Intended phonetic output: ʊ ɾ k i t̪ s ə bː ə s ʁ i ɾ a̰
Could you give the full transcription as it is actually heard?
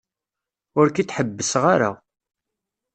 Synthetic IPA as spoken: ʊ ɾ k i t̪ ħ ə bː ə s ʁ a ɾ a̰